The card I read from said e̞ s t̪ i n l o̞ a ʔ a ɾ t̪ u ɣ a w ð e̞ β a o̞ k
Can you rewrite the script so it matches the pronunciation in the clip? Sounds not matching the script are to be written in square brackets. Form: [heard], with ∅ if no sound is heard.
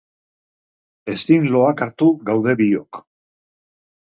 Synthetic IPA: e̞ s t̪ i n l o̞ a [k] a ɾ t̪ u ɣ a w ð e̞ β [i] o̞ k